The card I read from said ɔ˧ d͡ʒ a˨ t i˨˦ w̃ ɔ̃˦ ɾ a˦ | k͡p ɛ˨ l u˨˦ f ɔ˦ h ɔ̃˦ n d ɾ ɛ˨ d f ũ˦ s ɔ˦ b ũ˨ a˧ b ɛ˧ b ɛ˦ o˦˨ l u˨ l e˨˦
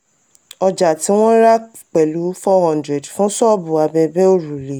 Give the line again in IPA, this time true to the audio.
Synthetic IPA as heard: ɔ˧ d͡ʒ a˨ t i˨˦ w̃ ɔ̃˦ ɾ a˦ | k͡p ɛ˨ l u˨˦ f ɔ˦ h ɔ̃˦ n d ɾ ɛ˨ d f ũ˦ s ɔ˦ b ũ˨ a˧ b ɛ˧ b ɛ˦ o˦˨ ɾ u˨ l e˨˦

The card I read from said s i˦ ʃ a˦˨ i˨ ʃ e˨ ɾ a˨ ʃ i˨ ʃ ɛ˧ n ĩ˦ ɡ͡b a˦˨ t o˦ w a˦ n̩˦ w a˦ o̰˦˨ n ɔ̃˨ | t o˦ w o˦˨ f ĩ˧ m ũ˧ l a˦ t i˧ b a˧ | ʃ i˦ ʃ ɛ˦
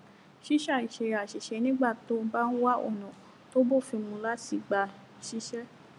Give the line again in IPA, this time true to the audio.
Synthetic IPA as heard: ʃ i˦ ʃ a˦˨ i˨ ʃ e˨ ɾ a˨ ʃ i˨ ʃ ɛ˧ n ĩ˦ ɡ͡b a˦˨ t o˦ b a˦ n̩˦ w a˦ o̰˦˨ n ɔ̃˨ | t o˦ b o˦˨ f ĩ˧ m ũ˧ l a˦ t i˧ ɡ͡b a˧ | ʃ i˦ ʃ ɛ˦

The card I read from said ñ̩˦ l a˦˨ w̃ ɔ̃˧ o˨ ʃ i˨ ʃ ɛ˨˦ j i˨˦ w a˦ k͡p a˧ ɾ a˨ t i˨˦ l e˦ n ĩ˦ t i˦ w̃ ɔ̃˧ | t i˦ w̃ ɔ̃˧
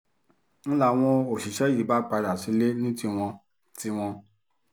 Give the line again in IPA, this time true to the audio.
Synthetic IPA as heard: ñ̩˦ l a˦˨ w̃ ɔ̃˧ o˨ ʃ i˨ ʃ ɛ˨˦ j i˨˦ b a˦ k͡p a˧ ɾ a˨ s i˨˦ l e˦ n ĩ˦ t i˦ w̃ ɔ̃˧ | t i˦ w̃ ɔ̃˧

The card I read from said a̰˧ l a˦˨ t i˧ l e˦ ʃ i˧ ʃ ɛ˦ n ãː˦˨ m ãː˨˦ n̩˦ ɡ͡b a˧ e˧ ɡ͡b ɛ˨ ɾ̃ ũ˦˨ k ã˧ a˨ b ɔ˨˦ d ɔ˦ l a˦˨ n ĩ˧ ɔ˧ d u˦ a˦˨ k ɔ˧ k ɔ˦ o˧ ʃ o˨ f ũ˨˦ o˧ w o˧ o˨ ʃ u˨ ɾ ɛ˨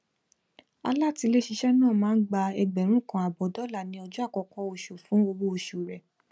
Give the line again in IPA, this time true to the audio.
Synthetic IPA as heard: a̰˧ l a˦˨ t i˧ l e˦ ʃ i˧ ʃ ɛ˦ n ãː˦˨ m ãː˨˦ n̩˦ ɡ͡b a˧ ɛ˧ ɡ͡b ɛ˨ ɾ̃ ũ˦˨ k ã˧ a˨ b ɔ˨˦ d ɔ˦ l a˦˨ n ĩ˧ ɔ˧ d͡ʒ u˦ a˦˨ k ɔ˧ k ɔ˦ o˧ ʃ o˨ f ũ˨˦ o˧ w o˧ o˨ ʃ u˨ ɾ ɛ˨

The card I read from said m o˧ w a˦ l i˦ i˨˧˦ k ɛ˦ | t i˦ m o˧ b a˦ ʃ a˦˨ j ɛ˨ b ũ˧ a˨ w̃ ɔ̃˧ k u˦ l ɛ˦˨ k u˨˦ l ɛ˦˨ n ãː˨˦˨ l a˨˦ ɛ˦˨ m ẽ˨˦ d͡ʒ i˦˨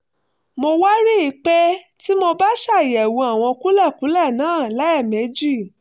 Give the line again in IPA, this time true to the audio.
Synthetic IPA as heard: m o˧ w a˦ ɾ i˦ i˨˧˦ k͡p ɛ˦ | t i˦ m o˧ b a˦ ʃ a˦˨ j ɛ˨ w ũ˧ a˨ w̃ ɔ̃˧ k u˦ l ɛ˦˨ k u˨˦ l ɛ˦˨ n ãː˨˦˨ l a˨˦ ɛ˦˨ m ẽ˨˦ d͡ʒ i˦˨

